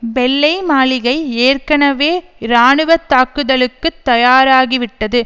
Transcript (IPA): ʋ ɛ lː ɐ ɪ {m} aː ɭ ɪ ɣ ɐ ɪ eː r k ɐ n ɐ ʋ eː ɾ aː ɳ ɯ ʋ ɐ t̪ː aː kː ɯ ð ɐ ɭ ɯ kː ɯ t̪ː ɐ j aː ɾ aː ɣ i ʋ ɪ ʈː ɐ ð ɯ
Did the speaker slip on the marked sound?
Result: no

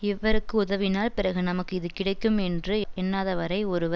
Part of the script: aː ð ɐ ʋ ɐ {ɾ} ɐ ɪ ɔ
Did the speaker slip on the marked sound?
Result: no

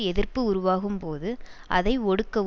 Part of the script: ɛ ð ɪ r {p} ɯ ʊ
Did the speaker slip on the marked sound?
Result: no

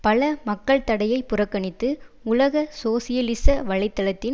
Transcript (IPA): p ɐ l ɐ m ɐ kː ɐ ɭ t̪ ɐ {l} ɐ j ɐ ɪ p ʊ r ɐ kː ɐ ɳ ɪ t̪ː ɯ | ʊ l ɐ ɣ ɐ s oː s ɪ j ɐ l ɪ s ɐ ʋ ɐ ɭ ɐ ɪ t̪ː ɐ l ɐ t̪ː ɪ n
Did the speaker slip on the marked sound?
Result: yes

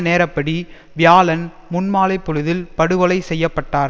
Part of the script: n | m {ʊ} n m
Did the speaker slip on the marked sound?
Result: no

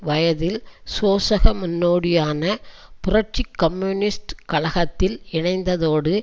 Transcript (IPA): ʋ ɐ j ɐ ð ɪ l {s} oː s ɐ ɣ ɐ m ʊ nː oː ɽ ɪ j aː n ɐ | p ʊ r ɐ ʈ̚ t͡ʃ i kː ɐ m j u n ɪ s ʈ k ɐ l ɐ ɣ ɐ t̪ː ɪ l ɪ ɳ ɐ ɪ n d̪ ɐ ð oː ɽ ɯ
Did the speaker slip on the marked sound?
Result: no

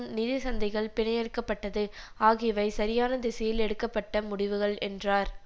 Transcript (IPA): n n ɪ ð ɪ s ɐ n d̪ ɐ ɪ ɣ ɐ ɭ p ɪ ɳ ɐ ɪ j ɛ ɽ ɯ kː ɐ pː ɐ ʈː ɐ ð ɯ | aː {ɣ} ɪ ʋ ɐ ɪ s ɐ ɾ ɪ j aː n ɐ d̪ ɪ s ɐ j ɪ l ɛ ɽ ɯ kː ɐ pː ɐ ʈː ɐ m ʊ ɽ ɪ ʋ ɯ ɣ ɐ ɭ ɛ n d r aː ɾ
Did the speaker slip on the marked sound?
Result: no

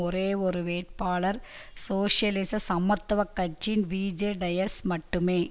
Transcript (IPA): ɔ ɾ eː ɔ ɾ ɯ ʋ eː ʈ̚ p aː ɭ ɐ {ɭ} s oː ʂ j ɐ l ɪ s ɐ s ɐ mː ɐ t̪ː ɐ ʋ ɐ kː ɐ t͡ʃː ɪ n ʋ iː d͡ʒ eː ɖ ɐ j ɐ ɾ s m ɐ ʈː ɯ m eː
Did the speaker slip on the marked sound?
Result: yes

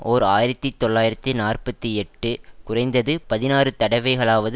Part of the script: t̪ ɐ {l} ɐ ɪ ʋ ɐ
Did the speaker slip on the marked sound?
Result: yes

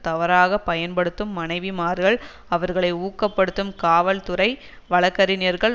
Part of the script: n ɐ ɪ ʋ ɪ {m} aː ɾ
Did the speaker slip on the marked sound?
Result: no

